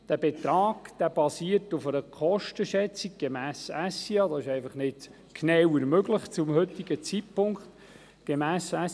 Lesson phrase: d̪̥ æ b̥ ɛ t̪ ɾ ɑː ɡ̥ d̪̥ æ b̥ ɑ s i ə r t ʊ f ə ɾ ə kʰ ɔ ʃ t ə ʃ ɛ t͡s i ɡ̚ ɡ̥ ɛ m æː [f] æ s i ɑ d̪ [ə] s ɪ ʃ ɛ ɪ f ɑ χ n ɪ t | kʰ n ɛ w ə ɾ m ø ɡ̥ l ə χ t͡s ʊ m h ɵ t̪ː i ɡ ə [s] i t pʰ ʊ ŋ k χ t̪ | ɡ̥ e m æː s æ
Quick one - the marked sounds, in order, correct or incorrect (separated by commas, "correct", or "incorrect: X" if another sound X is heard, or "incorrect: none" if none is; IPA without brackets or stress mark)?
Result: incorrect: s, incorrect: ɑ, incorrect: t͡s